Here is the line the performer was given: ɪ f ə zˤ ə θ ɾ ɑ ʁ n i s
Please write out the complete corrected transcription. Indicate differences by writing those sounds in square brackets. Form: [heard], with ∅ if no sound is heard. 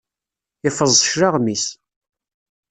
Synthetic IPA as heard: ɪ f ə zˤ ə [ʃ] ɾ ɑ ʁ [m] i s